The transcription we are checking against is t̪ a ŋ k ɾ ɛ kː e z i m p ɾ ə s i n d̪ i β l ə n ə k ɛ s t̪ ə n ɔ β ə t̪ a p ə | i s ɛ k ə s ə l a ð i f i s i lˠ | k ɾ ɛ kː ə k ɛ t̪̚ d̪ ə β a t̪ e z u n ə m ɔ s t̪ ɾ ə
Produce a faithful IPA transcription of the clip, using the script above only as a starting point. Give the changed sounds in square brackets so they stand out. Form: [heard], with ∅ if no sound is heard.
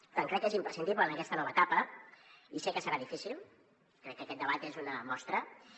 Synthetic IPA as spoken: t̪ a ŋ k ɾ ɛ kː e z i m p ɾ ə s i n d̪ i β l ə n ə k ɛ s t̪ ə n ɔ β ə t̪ a p ə | i s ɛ k ə s ə [ɾ] a ð i f i s i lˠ | k ɾ ɛ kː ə k ɛ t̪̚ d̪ ə β a t̪ e z u n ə m ɔ s t̪ ɾ ə